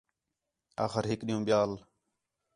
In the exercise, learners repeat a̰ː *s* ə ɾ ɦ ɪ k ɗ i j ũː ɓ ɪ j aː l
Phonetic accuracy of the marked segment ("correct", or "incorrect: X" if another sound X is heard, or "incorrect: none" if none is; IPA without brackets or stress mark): incorrect: x